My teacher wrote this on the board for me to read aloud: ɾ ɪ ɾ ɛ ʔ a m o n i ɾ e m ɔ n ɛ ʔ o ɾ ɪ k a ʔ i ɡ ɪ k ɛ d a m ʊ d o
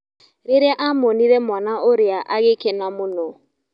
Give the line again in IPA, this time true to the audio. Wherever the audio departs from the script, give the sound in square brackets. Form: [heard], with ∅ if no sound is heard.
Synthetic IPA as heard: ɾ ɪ ɾ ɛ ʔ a m o n i ɾ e m ɔ n [a] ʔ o ɾ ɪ [∅] a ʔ [a] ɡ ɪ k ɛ [n] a m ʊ [n] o